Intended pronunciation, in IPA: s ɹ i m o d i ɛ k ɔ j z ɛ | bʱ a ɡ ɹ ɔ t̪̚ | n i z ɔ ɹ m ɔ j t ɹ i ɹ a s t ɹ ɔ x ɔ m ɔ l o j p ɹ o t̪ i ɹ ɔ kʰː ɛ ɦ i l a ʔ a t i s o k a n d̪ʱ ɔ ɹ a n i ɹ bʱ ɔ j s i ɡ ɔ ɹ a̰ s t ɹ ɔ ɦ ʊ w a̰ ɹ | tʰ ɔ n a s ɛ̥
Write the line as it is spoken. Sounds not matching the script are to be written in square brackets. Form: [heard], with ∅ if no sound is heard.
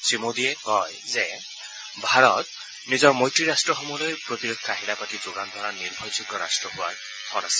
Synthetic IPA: s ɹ i m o d i ɛ k ɔ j z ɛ | bʱ a [∅] ɹ ɔ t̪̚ | n i z ɔ ɹ m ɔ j t ɹ i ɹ a s t ɹ ɔ x ɔ m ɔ l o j p ɹ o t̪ i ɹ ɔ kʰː [a] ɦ i l a [p] a t i [z] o [ɡ] a n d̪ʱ ɔ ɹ a n i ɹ bʱ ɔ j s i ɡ ɔ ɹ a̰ s t ɹ ɔ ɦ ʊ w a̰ ɹ | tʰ ɔ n a s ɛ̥